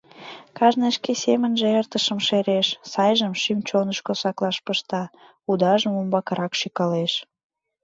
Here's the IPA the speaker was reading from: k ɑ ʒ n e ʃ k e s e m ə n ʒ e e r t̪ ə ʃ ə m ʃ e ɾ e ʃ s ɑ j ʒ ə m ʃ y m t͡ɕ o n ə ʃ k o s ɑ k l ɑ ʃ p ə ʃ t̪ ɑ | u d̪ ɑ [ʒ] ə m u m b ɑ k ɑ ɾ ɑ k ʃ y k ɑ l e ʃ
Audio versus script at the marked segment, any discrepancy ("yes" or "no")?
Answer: no